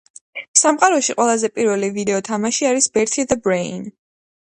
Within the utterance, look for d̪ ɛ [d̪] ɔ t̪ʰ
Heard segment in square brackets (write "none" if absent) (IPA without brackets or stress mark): none